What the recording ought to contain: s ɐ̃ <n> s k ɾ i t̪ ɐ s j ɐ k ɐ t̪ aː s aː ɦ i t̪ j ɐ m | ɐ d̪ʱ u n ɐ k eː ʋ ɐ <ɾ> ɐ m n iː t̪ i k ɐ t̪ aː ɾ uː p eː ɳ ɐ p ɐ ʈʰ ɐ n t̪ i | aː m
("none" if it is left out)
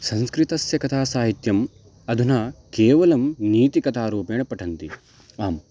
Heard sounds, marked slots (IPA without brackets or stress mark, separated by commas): n, l